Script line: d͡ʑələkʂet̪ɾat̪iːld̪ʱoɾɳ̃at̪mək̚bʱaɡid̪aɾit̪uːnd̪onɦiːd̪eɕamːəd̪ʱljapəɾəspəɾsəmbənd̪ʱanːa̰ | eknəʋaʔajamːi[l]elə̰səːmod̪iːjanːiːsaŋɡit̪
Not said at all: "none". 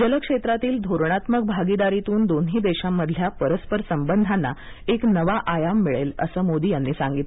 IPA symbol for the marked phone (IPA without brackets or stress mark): ɭ